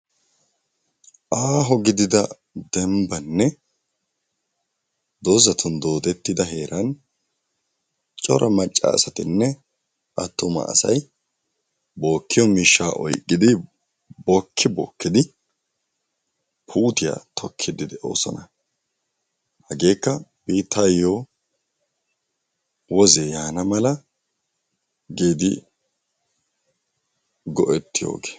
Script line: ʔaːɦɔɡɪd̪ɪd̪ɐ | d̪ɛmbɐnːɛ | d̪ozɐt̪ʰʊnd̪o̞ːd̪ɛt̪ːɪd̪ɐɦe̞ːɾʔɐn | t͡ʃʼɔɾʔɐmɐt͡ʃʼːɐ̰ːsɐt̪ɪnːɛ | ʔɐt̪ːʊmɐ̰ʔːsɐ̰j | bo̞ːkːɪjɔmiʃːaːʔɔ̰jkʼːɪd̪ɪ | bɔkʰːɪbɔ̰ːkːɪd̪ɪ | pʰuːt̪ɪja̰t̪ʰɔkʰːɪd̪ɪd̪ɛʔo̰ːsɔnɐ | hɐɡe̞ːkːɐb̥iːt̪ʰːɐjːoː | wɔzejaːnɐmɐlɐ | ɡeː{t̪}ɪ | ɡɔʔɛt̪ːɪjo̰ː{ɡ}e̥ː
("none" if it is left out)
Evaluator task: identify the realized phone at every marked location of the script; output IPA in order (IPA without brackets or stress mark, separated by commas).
d̪, ɡ